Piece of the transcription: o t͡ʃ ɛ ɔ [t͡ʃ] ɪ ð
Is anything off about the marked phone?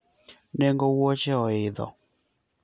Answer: yes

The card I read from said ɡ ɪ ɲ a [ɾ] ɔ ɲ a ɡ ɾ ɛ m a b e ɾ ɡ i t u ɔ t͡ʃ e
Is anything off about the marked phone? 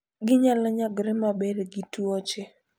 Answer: yes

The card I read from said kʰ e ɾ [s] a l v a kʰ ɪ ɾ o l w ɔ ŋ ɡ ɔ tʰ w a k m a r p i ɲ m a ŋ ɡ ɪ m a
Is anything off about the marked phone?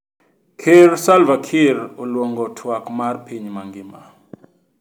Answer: no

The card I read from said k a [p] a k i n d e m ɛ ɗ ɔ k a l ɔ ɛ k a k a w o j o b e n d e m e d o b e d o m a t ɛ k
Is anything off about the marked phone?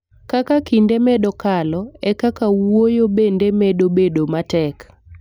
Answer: yes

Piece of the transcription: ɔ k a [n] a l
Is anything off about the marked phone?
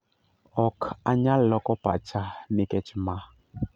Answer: yes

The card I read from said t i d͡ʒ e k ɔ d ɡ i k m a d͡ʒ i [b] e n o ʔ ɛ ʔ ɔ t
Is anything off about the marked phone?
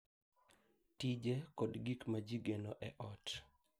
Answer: yes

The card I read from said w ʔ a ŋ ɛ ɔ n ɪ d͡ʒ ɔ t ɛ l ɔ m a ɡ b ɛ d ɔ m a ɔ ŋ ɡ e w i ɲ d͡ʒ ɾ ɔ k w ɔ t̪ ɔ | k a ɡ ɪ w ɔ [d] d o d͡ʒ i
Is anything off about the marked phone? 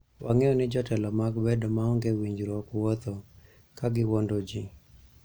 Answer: yes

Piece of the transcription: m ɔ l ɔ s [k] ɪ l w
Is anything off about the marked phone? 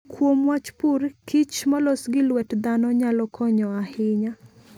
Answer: yes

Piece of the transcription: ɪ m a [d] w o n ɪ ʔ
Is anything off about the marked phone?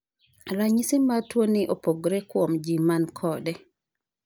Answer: yes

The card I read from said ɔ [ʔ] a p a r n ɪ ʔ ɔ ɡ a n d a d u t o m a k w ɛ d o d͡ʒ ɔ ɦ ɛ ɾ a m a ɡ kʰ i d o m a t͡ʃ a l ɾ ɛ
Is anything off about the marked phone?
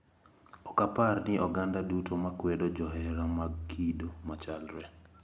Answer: yes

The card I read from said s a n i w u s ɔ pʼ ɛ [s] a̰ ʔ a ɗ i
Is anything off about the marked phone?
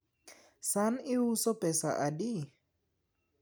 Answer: no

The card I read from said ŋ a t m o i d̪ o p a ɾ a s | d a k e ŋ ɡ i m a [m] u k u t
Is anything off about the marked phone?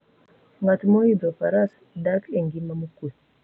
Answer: no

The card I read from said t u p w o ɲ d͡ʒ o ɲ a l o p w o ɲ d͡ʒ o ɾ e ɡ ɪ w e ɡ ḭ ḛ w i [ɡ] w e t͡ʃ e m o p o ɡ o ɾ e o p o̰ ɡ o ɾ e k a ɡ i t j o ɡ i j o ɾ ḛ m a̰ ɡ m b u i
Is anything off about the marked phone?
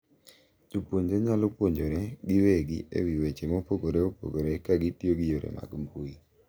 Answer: yes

